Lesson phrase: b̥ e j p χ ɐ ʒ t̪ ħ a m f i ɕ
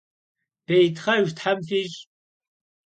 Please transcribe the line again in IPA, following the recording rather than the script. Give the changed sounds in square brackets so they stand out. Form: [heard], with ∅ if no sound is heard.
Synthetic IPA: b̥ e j [t] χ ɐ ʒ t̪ ħ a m f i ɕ